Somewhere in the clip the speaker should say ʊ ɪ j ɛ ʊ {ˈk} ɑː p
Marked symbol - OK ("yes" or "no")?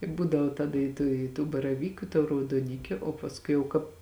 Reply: yes